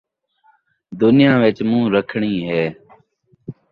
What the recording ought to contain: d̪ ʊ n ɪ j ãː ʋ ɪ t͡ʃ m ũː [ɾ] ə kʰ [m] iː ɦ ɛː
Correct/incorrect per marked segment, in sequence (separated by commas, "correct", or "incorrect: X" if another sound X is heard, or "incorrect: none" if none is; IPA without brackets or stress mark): correct, incorrect: ɳ